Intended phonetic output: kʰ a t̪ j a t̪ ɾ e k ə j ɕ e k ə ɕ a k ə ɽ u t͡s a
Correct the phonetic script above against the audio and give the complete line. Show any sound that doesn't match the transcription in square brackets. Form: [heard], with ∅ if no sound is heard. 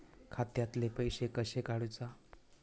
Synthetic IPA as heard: kʰ a t̪ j a t̪ [l] e [p] ə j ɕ e k ə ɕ [e] k [a] ɽ u t͡s a